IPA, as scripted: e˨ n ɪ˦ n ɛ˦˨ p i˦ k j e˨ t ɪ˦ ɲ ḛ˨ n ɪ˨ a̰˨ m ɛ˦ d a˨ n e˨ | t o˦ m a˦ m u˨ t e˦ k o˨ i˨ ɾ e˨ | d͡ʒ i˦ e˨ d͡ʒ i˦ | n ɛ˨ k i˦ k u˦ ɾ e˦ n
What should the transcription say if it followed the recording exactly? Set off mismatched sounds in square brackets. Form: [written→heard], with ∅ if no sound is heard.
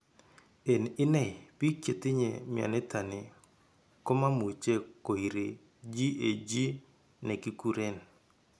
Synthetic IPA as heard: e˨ n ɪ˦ n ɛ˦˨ p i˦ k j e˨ t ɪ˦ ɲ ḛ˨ [n→m] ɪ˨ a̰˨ [m→n] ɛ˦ [d→t] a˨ n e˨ | [t→k] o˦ m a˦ m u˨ [t→t͡ʃ] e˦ k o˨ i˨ ɾ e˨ | d͡ʒ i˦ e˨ d͡ʒ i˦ | n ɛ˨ k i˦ k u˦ ɾ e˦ n